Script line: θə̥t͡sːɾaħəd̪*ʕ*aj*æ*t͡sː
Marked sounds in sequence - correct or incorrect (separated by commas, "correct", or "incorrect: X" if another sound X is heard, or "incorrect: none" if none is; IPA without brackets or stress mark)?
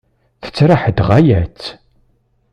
incorrect: ʁ, correct